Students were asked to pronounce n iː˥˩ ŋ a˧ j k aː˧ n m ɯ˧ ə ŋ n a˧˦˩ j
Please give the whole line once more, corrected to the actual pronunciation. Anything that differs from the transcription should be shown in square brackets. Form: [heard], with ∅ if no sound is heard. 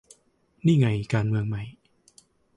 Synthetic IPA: n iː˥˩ ŋ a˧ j k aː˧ n m ɯ˧ ə ŋ [m] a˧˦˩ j

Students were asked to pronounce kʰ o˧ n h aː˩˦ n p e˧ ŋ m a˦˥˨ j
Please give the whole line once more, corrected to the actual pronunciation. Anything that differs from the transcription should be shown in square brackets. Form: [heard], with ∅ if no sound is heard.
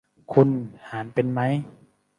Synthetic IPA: kʰ [u˧] n h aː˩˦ n p e˧ [n] m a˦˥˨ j

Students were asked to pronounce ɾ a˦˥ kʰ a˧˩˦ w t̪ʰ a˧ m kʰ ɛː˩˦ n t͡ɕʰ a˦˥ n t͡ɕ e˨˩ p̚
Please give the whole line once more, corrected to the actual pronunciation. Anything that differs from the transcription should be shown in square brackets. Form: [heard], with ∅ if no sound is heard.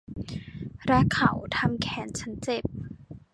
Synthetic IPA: ɾ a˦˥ kʰ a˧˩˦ w t̪ʰ a˧ m kʰ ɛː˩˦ n t͡ɕʰ a˦˥ n t͡ɕ e˨˩ p̚

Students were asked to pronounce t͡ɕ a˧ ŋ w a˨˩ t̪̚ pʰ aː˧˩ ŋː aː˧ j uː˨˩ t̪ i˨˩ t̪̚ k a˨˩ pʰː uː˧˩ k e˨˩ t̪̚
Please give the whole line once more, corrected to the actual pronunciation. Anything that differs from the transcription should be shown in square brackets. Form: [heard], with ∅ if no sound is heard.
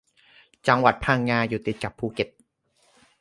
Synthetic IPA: t͡ɕ a˧ ŋ w a˨˩ t̪̚ pʰ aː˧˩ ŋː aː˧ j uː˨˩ t̪ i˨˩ t̪̚ k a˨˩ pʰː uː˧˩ k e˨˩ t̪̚

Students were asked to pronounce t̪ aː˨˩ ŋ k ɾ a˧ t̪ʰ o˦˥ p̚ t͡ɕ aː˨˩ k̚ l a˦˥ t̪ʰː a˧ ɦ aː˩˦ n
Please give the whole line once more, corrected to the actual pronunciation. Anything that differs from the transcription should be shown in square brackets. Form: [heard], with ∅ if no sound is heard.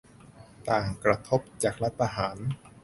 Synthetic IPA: t̪ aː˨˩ ŋ k ɾ a˧ t̪ʰ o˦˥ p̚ t͡ɕ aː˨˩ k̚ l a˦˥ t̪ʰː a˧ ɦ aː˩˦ n

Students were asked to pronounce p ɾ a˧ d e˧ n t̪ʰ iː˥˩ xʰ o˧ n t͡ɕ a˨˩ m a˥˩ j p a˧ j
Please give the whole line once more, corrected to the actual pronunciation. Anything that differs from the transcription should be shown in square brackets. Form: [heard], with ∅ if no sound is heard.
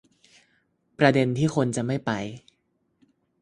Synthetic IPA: p ɾ a˧ d e˧ n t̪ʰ iː˥˩ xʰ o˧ n t͡ɕ a˨˩ m a˥˩ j p a˧ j

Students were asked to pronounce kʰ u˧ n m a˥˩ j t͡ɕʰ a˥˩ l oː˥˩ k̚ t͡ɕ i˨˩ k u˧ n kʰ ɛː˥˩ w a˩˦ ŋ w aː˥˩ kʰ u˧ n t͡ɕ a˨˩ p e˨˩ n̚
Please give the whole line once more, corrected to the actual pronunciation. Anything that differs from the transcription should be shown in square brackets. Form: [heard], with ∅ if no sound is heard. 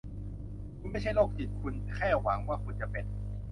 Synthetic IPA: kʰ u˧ n m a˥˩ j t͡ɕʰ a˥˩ l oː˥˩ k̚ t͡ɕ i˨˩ [kʰ] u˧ n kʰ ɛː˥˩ w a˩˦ ŋ w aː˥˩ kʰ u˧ n t͡ɕ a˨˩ p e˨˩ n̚

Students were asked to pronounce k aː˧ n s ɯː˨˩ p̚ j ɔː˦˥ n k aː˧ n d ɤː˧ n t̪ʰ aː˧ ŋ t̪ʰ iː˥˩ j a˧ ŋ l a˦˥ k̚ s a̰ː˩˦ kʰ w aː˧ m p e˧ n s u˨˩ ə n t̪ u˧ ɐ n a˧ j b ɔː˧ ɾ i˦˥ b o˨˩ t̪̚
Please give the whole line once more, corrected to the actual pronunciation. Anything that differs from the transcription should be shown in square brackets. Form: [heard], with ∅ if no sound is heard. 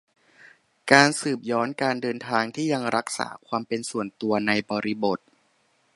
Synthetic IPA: k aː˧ n s ɯː˨˩ p̚ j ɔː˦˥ n k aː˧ n d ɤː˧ n t̪ʰ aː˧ ŋ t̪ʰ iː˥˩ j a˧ ŋ [ɾ] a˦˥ k̚ s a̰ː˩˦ kʰ w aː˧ m p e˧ n s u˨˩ ə n t̪ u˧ ɐ n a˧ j b ɔː˧ ɾ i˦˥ b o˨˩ t̪̚

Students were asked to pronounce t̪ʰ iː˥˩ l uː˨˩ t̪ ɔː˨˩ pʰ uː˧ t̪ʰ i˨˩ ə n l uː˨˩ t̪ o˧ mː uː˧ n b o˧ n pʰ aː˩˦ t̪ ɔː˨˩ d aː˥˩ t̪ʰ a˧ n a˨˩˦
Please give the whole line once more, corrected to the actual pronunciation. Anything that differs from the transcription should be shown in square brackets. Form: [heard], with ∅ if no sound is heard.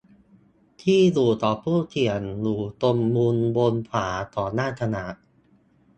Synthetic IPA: t̪ʰ iː˥˩ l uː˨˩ t̪ ɔː˨˩ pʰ [uː˥˩] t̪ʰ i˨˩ ə n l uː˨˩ t̪ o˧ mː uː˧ n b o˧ n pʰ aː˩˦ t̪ ɔː˨˩ [n] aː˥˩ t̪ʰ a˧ n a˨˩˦

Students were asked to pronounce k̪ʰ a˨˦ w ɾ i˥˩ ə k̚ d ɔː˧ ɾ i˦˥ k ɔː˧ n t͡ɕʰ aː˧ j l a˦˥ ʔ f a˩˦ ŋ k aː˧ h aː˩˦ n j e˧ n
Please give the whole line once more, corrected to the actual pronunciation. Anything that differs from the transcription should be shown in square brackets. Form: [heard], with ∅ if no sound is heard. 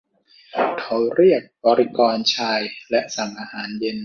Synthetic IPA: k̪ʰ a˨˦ w ɾ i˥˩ ə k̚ [b] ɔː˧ ɾ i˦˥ k ɔː˧ n t͡ɕʰ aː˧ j l [ɛ˦˥] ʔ [s] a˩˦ ŋ [ʔ] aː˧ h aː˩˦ n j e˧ n

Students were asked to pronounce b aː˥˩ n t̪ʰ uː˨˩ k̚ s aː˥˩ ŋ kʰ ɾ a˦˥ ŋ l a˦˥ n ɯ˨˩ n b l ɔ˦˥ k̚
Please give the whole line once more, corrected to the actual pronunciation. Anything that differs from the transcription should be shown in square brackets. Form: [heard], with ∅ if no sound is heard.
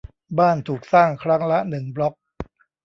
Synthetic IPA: b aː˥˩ n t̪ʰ uː˨˩ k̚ s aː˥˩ ŋ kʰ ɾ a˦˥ ŋ l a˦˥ n ɯ˨˩ [ŋ] b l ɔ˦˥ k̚

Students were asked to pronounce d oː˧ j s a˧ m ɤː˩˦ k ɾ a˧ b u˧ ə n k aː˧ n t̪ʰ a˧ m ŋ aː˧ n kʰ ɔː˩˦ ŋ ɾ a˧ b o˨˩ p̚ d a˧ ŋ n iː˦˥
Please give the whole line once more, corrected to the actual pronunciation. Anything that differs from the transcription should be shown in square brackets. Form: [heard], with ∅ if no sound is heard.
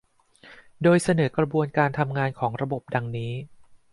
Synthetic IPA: d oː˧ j s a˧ [n] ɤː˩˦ k ɾ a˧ b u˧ ə n k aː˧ n t̪ʰ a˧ m ŋ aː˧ n kʰ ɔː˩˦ ŋ ɾ a˧ b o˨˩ p̚ d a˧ ŋ n iː˦˥

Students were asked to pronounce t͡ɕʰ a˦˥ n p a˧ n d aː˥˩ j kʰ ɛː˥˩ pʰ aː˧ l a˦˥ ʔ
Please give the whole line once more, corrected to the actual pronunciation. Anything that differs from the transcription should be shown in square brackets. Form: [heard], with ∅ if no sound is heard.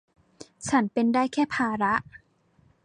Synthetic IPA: t͡ɕʰ a˦˥ n p [e˧] n d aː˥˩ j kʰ ɛː˥˩ pʰ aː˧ [ɾ] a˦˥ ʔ

